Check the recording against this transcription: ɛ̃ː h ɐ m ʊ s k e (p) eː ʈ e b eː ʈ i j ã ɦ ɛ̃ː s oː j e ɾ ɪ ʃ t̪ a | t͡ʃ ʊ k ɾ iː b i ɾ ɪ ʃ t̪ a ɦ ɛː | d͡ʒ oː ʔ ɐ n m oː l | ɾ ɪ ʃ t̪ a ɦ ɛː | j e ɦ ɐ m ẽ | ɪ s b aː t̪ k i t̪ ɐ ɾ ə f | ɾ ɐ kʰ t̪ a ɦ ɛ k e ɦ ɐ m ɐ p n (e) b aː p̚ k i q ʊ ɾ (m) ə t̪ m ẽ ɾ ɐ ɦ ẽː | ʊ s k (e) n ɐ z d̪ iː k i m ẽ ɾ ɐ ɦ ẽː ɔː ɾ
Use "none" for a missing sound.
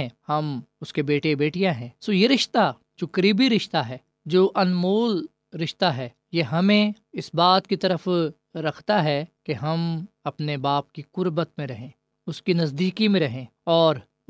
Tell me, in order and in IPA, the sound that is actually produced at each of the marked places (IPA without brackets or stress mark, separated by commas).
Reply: b, e, b, i